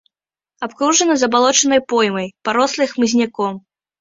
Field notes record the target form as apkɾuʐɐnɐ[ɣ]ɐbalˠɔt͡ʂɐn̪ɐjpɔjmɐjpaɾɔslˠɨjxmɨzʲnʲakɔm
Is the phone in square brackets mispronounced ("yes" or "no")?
yes